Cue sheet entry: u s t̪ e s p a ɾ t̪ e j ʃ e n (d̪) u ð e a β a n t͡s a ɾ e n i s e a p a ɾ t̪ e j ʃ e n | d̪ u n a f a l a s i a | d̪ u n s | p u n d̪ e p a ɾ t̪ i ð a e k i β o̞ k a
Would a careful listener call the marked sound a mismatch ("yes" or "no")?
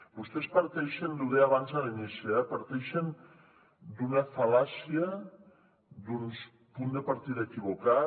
no